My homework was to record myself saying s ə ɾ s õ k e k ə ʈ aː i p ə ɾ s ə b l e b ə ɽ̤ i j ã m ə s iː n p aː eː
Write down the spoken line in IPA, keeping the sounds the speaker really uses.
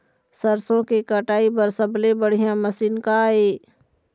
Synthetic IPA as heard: s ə ɾ s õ k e k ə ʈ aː i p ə ɾ s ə b l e b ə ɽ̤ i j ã m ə s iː n k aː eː